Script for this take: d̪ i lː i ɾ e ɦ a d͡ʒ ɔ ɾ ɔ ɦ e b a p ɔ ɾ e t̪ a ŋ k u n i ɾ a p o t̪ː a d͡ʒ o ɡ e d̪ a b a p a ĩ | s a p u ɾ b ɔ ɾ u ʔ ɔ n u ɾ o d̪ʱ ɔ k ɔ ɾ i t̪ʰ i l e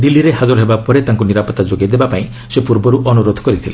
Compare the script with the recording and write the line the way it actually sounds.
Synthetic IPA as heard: d̪ i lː i ɾ e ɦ a d͡ʒ ɔ ɾ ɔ ɦ e b a p ɔ ɾ e t̪ a ŋ k u n i ɾ a p ɔ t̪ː a d͡ʒ o ɡ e d̪ e b a p a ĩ | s e p u ɾ b ɔ ɾ u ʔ ɔ n u ɾ o d̪ʱ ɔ k ɔ ɾ i t̪ʰ i l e